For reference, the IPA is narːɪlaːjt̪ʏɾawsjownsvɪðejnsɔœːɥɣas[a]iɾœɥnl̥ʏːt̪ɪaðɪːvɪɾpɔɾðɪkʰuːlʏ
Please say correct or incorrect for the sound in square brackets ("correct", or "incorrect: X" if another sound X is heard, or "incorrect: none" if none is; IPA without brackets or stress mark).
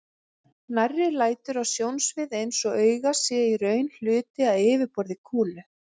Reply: incorrect: ɛ